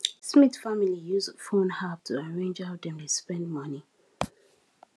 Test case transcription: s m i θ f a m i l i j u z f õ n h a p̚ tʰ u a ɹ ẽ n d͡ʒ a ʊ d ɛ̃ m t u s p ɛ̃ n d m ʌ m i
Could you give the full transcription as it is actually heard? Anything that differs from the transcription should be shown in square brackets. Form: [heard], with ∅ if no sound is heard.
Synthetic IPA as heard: s m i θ f a m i l i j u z f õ n h a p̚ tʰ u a ɹ ẽ n d͡ʒ a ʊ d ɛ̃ m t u s p ɛ̃ n d m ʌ [n] i